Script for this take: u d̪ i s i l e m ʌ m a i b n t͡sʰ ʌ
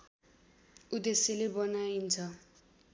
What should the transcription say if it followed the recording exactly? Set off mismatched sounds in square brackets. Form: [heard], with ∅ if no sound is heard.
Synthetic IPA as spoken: u d̪ [e] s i l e [b] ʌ [n] a i [∅] n t͡sʰ ʌ